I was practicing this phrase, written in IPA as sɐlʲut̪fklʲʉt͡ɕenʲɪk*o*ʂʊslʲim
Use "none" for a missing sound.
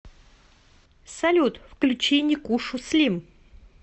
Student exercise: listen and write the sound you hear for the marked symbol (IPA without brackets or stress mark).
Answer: u